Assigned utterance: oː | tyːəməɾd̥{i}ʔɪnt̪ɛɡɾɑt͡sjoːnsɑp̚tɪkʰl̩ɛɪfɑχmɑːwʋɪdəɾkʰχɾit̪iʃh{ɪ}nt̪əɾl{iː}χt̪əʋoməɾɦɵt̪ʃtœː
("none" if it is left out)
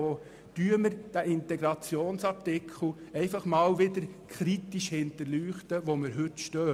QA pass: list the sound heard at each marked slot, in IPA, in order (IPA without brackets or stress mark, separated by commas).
æ, ɪ, yː